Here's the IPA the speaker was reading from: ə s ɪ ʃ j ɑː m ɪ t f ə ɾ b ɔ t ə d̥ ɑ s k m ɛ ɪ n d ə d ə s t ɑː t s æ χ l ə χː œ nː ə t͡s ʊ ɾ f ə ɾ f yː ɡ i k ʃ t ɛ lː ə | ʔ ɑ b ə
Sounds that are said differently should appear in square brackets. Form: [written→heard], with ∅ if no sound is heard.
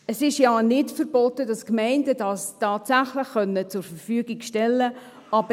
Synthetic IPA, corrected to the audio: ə s ɪ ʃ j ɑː [m→n] ɪ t f ə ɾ b ɔ t ə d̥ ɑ s k m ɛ ɪ n d ə d [ə→ɑ] s t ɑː t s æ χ l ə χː œ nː ə t͡s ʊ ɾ f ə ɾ f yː ɡ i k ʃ t ɛ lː ə | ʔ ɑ b ə